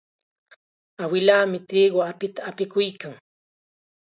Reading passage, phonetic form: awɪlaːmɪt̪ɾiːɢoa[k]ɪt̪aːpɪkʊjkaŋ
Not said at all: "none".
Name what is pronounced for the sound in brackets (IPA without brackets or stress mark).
p